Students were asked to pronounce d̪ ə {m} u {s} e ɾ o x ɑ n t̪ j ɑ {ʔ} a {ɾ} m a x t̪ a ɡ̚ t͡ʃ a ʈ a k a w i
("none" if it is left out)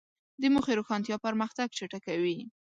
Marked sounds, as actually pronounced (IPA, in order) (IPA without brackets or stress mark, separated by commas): m, x, p, ɾ